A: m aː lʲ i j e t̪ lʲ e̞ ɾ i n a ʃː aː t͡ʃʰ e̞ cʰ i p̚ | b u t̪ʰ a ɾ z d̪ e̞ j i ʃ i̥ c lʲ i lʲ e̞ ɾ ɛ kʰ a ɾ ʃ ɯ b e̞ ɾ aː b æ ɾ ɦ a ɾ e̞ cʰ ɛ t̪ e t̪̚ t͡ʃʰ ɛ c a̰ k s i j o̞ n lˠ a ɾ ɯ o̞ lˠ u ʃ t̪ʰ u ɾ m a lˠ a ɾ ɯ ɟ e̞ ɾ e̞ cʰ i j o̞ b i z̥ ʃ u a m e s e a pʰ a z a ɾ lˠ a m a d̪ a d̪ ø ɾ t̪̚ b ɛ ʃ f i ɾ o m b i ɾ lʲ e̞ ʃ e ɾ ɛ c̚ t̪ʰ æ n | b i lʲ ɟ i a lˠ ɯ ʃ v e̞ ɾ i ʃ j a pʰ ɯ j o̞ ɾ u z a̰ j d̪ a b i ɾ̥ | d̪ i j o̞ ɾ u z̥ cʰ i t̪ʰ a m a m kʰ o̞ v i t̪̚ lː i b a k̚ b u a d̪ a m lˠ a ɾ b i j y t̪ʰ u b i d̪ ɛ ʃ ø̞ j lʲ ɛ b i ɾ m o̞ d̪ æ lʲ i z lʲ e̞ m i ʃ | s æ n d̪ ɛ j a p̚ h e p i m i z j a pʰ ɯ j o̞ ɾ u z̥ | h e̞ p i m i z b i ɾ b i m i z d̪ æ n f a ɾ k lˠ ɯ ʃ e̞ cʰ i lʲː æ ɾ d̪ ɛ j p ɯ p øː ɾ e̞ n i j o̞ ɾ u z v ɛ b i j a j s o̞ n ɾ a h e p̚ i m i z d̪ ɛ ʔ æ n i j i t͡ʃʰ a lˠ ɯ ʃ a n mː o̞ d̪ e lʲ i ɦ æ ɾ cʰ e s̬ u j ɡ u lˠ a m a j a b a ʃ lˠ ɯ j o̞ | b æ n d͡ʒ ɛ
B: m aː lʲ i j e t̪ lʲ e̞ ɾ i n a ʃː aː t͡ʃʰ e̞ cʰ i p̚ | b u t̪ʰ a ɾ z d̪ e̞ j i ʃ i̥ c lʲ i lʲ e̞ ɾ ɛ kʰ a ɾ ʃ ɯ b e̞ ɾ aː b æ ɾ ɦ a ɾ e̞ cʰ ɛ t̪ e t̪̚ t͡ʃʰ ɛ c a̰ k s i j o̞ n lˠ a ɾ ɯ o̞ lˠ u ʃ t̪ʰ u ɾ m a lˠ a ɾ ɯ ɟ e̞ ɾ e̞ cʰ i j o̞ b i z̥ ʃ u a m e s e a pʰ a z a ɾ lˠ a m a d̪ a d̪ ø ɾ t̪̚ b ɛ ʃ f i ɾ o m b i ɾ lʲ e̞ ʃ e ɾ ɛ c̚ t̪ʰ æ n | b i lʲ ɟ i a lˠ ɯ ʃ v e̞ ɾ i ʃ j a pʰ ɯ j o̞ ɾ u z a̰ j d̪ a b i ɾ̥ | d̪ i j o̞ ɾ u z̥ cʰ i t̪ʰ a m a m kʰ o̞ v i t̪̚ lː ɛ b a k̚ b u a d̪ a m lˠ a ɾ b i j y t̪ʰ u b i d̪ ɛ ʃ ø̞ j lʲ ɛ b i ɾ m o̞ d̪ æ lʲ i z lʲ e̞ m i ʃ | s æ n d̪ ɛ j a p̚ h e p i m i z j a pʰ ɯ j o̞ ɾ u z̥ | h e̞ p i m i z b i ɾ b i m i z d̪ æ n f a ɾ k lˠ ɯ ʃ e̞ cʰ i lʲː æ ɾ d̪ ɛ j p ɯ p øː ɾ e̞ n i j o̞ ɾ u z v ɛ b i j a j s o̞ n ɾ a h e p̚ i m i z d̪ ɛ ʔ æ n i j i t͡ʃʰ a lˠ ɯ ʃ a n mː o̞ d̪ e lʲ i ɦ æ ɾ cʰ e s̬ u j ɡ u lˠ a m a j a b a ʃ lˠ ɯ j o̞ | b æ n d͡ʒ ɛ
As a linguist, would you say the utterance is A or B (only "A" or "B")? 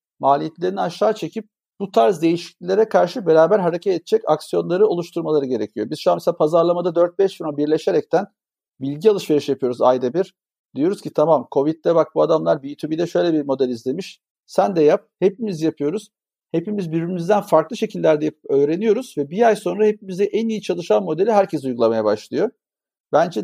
B